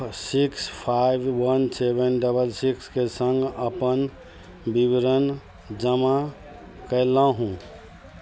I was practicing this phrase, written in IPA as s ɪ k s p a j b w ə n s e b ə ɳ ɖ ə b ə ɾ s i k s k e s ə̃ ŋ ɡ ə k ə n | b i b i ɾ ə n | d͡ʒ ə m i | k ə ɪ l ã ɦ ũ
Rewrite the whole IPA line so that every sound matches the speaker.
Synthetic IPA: s i k s pʰ a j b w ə n s e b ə n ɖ ə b ə l s i k s k e s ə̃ ŋ ɡ ə p ə n | b i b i ɾ ə n | d͡ʒ ə m a | k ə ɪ l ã ɦ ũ